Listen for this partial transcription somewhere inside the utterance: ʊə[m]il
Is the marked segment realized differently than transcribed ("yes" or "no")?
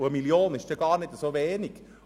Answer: no